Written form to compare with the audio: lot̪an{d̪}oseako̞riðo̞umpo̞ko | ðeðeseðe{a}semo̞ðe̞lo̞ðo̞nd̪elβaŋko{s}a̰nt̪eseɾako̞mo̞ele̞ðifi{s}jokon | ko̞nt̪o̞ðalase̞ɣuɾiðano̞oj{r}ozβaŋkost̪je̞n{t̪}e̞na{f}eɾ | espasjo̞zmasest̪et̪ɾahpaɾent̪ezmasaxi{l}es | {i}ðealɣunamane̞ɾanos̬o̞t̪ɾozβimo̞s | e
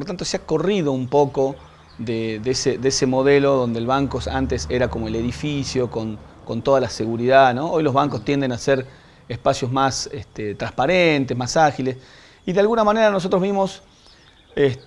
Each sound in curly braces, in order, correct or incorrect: incorrect: t̪, incorrect: e, correct, correct, incorrect: l, incorrect: d̪, incorrect: s, correct, correct

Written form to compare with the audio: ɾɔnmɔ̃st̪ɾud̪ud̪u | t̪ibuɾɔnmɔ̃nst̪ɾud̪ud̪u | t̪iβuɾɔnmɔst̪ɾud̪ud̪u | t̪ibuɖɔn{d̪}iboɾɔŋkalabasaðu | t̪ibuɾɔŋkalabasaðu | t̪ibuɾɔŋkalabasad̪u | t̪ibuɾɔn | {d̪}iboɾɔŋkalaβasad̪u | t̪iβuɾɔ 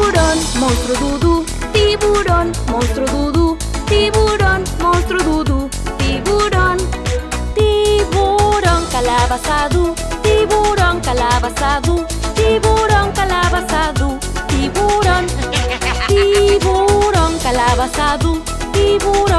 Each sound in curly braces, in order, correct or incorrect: incorrect: t̪, incorrect: t̪

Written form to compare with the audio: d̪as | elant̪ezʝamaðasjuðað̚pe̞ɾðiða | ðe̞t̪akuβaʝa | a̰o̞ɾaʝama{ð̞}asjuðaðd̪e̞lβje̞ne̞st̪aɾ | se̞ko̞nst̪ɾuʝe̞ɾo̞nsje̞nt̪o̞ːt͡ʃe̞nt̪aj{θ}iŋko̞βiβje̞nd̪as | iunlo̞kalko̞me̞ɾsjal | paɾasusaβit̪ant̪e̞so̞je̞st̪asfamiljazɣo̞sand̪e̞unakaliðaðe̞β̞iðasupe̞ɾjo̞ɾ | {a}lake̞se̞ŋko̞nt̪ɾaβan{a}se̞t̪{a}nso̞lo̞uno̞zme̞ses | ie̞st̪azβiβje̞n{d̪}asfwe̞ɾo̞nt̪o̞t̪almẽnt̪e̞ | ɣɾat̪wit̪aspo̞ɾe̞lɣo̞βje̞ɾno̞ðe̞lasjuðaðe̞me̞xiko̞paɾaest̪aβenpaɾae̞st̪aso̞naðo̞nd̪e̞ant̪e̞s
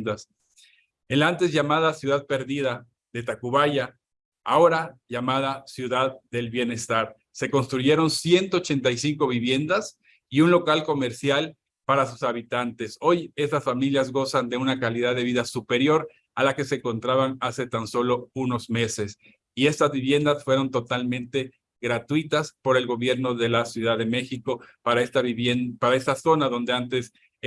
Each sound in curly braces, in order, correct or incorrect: correct, incorrect: s, correct, correct, correct, correct

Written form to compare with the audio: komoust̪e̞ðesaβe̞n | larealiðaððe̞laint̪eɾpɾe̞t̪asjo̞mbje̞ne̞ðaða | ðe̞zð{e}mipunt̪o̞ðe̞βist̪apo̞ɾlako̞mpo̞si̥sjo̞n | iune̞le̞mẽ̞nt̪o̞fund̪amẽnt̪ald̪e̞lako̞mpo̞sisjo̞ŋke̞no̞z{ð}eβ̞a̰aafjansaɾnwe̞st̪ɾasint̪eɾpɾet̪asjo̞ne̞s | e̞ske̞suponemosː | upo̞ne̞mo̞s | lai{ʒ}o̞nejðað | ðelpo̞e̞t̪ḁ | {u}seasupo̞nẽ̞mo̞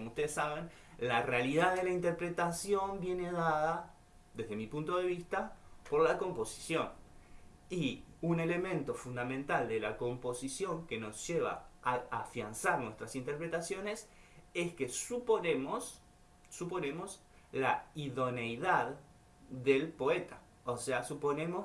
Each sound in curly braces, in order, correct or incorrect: correct, incorrect: ʒ, incorrect: ð, incorrect: o

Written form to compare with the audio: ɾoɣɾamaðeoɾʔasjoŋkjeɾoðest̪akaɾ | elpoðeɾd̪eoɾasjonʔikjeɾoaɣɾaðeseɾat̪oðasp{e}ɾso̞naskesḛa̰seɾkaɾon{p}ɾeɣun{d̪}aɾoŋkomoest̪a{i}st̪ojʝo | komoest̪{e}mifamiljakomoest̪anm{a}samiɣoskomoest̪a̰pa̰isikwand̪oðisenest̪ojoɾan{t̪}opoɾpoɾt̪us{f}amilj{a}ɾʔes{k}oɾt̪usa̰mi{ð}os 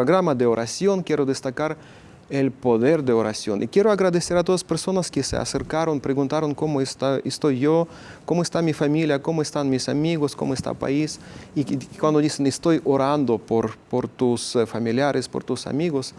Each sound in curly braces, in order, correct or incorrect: correct, correct, incorrect: t̪, incorrect: e, incorrect: a, incorrect: i, incorrect: d̪, correct, correct, incorrect: p, incorrect: ɣ

